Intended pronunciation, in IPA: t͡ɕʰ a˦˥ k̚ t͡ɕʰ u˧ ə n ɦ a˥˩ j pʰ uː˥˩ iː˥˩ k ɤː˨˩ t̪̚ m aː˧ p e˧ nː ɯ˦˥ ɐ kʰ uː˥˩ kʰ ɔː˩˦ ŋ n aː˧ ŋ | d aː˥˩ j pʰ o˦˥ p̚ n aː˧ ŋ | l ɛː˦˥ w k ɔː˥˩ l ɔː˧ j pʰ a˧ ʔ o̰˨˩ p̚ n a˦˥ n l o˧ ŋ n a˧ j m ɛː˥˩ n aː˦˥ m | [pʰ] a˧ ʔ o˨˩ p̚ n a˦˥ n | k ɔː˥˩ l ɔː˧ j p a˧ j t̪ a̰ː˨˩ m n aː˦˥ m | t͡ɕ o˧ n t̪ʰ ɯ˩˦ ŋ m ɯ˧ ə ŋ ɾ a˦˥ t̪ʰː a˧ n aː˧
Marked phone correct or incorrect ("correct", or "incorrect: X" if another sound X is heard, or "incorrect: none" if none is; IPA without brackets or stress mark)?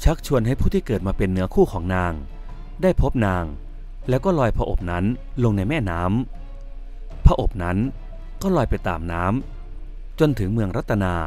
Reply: correct